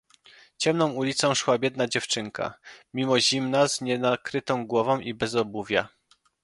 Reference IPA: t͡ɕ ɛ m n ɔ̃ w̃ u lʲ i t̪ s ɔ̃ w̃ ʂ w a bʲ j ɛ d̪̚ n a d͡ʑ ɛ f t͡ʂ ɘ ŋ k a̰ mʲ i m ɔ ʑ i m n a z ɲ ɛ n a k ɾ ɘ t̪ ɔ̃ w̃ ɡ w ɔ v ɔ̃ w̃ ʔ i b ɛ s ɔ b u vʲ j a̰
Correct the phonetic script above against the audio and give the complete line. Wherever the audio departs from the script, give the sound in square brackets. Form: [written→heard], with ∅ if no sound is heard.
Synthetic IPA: t͡ɕ ɛ m n ɔ̃ w̃ u lʲ i t̪ s ɔ̃ w̃ ʂ w a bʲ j ɛ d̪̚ n a d͡ʑ ɛ f t͡ʂ ɘ ŋ k a̰ mʲ i m ɔ ʑ i m n a z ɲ ɛ n a k ɾ ɘ t̪ ɔ̃ w̃ ɡ w ɔ v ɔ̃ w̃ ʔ i b ɛ [s→z] ɔ b u vʲ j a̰